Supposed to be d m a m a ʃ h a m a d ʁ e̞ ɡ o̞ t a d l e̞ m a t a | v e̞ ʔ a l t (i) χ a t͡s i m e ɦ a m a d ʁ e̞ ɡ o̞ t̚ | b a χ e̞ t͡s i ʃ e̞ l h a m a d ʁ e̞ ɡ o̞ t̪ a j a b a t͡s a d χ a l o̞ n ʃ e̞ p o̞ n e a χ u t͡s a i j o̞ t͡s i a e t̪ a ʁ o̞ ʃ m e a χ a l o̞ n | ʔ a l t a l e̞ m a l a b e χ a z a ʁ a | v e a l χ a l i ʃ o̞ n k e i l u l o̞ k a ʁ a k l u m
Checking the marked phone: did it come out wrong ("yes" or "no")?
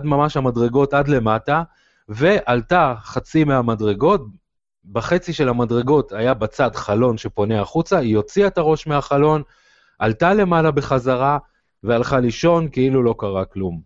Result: yes